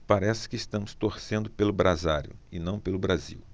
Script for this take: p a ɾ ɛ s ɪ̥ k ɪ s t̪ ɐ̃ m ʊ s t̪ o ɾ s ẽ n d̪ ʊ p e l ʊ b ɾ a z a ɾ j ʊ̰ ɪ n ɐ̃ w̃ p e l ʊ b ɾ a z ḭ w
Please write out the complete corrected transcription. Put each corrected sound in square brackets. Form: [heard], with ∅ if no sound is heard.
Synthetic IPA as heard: p a ɾ ɛ s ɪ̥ k ɪ s t̪ ɐ̃ m ʊ s t̪ o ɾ s ẽ n d̪ ʊ p e l ʊ b ɾ a z a ɾ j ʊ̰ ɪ n ɐ̃ w̃ p e l ʊ b ɾ a z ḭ w